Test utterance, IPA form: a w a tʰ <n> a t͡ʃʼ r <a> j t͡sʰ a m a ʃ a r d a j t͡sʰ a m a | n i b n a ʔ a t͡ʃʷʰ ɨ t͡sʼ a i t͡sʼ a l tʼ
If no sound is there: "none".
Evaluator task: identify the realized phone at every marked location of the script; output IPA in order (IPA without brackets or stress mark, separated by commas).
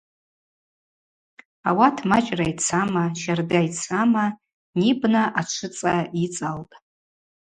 m, a